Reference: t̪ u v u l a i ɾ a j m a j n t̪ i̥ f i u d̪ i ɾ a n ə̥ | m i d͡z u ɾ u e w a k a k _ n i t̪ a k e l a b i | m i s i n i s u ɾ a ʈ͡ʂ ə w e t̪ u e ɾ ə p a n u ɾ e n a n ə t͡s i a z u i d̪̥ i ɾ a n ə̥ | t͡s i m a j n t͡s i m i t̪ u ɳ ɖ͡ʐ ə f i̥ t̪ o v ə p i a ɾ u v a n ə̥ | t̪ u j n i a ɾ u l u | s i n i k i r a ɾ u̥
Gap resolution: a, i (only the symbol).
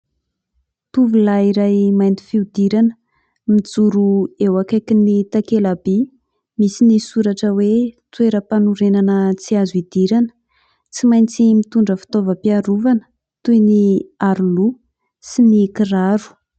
i